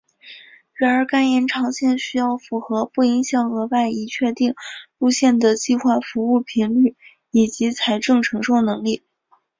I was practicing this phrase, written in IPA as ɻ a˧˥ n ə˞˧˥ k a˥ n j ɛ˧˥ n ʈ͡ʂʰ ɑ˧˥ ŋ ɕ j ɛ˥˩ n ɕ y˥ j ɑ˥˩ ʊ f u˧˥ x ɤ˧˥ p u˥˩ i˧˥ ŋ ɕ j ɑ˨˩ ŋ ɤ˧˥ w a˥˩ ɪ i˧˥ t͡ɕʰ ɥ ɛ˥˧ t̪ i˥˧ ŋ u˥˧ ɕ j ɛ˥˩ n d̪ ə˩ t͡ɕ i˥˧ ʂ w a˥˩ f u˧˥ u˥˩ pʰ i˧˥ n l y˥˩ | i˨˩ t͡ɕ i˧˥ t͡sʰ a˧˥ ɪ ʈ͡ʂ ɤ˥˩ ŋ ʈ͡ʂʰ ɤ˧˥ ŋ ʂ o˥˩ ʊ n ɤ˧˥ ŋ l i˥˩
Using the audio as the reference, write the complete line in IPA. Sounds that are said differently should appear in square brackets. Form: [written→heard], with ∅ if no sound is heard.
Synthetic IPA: ɻ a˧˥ n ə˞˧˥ k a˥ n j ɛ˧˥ n ʈ͡ʂʰ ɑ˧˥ ŋ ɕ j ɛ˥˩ n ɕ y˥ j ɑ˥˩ ʊ f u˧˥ x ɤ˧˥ p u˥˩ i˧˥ ŋ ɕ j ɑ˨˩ ŋ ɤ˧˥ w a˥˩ ɪ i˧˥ t͡ɕʰ ɥ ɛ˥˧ t̪ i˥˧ ŋ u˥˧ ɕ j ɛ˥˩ n d̪ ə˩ t͡ɕ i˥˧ [ʂ→x] w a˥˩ f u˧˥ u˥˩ pʰ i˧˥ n l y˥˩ | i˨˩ t͡ɕ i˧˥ t͡sʰ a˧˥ ɪ ʈ͡ʂ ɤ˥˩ ŋ ʈ͡ʂʰ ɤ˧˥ ŋ ʂ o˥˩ ʊ n ɤ˧˥ ŋ l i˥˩